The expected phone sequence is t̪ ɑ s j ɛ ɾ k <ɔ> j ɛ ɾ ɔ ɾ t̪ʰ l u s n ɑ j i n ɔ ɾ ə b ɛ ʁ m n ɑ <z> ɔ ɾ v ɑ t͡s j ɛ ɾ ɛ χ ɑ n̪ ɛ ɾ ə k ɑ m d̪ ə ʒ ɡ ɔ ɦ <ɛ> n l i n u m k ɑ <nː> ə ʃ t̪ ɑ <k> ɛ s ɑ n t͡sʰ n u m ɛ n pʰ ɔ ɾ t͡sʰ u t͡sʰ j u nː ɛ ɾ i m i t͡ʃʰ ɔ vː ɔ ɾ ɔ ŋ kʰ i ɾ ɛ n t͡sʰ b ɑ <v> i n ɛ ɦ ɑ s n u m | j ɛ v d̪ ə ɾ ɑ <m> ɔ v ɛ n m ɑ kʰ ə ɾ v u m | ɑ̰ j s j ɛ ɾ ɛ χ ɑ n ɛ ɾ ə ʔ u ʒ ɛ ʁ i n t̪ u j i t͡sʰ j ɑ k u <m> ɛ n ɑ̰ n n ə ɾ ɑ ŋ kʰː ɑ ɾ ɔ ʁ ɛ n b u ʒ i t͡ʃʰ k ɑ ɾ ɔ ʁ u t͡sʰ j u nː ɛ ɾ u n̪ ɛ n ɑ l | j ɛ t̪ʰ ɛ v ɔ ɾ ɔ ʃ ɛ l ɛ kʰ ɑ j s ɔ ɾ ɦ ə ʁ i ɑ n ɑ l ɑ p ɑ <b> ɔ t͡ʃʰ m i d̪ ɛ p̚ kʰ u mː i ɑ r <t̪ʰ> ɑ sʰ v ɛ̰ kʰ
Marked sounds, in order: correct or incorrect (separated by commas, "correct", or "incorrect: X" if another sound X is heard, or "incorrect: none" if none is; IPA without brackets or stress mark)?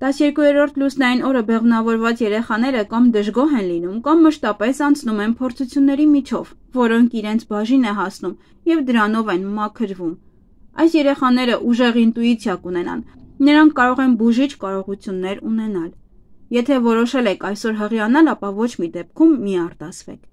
incorrect: u, incorrect: v, correct, incorrect: mː, incorrect: p, incorrect: ʒ, incorrect: n, incorrect: n, incorrect: v, incorrect: t̪